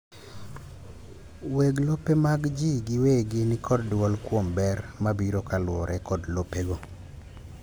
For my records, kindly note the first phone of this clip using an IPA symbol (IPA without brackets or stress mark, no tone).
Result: w